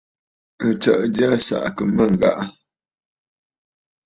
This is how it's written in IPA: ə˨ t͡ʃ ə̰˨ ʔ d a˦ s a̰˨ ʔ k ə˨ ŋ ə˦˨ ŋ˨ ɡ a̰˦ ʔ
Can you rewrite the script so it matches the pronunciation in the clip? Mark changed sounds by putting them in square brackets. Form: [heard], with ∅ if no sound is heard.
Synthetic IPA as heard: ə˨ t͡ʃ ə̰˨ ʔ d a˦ s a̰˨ ʔ k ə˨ [m] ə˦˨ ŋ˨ ɡ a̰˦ ʔ